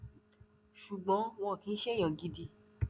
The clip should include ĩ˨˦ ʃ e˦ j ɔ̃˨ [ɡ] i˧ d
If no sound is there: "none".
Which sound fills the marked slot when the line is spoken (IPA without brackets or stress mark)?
ɡ